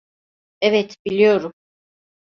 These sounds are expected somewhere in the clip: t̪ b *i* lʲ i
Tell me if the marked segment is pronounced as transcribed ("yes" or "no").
yes